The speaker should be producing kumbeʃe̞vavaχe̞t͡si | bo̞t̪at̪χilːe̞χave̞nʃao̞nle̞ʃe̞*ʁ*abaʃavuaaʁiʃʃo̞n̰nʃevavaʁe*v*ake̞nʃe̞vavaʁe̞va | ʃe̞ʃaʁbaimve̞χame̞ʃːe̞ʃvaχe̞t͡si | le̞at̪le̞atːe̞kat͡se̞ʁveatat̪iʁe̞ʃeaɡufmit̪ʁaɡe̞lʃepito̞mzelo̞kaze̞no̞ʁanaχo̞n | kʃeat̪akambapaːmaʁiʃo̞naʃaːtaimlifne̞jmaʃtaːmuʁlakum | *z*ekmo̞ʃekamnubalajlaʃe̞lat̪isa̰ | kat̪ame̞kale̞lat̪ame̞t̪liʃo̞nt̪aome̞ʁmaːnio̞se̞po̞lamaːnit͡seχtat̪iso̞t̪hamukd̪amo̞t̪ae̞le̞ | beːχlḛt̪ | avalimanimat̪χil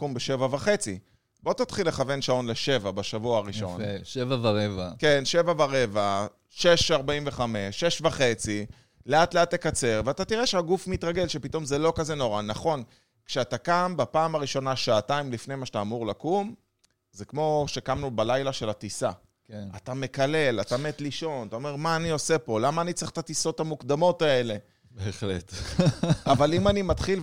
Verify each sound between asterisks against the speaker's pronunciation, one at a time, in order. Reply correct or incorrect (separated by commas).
incorrect, correct, correct